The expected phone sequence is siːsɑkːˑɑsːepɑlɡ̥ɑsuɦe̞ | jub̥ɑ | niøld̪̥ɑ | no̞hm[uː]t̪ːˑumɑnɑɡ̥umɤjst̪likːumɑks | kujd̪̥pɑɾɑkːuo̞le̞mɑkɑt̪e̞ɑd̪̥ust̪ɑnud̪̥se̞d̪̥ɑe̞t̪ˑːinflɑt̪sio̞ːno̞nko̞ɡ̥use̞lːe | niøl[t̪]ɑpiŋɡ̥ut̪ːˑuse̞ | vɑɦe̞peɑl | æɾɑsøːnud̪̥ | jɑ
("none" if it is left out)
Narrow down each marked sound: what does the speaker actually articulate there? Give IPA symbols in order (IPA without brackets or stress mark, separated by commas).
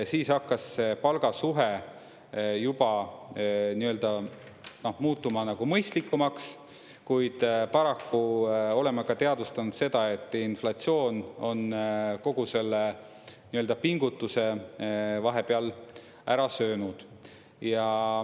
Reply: uː, d̪